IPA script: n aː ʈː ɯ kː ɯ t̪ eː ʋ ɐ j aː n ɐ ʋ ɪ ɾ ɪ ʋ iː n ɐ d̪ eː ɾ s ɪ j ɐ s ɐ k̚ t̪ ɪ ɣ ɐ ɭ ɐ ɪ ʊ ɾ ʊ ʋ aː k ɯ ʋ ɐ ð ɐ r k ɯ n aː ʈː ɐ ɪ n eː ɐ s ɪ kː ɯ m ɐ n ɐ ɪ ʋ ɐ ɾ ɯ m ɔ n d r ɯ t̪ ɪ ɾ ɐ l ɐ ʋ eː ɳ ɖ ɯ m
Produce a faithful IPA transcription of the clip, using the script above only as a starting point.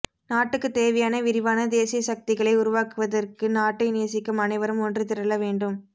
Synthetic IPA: n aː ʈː ɯ kː ɯ t̪ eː ʋ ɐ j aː n ɐ ʋ ɪ ɾ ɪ ʋ aː n ɐ d̪ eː s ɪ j ɐ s ɐ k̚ t̪ ɪ ɣ ɐ ɭ ɐ ɪ ʊ ɾ ʊ ʋ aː k ɯ ʋ ɐ ð ɐ r k ɯ n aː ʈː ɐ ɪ n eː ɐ s ɪ kː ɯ m ɐ n ɐ ɪ ʋ ɐ ɾ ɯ m ɔ n d r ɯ t̪ ɪ ɾ ɐ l ɐ ʋ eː ɳ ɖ ɯ m